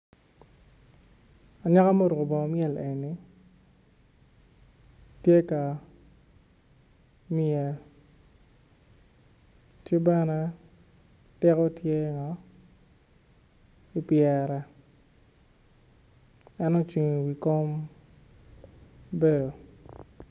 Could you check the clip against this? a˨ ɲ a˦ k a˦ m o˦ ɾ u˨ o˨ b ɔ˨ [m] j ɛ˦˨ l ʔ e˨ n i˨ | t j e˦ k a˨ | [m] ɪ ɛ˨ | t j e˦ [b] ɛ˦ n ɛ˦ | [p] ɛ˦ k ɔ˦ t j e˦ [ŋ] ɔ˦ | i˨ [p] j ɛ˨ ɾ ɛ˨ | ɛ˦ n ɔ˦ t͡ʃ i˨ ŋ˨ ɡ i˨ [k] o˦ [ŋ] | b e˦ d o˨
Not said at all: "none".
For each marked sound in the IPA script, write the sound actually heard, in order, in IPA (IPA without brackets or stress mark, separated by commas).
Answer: m, m, b, t, ŋ, p, k, m